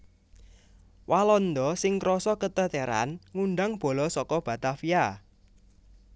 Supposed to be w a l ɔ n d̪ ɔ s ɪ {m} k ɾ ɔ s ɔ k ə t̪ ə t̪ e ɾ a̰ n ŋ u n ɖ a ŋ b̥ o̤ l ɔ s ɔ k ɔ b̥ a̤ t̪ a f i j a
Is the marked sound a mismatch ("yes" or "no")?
yes